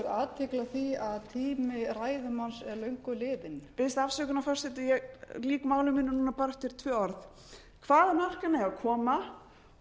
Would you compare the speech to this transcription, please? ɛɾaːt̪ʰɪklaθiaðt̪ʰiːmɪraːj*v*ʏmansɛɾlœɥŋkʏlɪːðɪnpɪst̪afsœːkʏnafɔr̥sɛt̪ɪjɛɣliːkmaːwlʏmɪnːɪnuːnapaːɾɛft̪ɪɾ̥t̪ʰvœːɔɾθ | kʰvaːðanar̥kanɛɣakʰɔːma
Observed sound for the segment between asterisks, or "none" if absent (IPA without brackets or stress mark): ð